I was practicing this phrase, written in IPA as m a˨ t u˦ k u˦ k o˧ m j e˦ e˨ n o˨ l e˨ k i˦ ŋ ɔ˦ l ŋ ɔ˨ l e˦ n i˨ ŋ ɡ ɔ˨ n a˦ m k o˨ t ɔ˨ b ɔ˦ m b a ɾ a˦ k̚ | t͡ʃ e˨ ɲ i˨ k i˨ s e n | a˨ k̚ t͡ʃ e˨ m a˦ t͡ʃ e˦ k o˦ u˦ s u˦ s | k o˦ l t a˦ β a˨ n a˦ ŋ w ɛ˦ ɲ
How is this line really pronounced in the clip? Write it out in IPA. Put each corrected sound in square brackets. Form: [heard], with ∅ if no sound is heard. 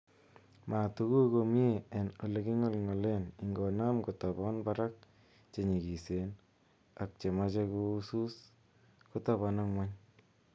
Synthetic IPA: m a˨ t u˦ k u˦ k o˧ m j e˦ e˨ n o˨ l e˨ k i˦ ŋ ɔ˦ l ŋ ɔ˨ l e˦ n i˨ ŋ ɡ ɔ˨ n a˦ m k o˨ t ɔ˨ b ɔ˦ [n] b a ɾ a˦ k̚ | t͡ʃ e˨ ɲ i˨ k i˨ s e n | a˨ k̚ t͡ʃ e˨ m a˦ t͡ʃ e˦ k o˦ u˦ s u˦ s | k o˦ [∅] t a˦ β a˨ n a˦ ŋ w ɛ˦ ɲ